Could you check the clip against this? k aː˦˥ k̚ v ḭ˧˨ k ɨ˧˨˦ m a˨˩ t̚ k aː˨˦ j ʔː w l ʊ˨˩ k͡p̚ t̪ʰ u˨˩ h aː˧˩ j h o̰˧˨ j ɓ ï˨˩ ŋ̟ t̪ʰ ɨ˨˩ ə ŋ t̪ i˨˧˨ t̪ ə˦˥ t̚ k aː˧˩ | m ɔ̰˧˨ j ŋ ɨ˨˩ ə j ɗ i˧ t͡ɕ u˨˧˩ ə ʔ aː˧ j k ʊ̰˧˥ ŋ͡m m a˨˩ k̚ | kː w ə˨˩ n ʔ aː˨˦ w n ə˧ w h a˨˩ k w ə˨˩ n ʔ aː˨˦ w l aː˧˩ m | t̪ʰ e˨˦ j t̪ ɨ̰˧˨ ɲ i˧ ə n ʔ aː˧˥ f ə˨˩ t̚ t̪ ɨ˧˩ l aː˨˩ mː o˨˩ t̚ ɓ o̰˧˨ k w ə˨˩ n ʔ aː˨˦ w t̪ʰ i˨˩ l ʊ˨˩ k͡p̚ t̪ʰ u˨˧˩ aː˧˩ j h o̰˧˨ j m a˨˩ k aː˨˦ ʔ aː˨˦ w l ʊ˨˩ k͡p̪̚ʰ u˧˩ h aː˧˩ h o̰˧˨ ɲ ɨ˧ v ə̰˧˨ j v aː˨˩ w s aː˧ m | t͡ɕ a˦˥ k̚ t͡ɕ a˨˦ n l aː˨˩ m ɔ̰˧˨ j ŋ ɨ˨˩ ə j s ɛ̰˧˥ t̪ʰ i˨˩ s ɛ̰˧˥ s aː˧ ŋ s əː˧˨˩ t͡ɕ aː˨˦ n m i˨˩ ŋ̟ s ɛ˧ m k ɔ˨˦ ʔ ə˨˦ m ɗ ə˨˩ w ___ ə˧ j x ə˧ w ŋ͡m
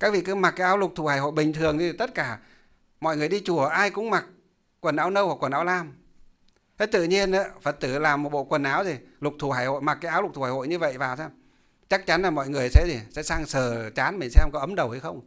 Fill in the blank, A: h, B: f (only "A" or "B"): A